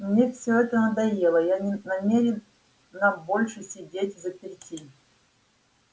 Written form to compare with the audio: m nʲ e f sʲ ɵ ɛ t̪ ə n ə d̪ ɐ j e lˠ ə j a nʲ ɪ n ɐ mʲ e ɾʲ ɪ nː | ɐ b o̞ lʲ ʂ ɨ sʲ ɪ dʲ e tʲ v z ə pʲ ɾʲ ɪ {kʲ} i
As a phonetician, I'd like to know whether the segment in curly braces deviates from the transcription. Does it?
yes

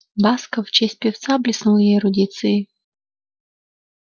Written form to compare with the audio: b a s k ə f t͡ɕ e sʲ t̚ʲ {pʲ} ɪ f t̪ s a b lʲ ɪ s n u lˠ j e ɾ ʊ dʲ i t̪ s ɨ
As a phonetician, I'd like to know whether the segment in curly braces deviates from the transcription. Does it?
no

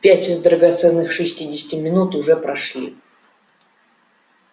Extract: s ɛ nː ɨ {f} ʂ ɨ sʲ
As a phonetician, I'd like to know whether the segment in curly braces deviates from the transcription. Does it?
yes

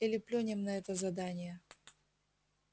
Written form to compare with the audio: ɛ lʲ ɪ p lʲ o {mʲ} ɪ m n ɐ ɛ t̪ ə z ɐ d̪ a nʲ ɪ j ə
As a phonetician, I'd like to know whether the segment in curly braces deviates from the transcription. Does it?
yes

